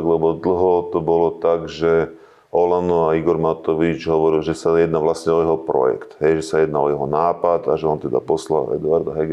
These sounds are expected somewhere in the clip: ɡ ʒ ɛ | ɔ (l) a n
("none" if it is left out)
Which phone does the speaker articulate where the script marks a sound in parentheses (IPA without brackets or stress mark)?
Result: l